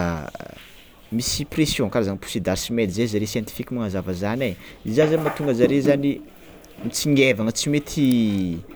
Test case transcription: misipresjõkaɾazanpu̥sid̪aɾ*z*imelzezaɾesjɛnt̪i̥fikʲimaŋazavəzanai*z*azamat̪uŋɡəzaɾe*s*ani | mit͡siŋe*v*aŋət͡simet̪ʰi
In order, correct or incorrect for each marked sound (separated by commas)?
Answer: incorrect, correct, incorrect, correct